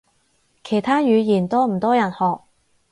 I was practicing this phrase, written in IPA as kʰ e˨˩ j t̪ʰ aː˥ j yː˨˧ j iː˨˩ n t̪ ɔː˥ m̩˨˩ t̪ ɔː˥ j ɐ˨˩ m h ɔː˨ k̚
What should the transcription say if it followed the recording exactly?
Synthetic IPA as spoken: kʰ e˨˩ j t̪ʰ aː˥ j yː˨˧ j iː˨˩ n t̪ ɔː˥ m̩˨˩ t̪ ɔː˥ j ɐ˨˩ n h ɔː˨ k̚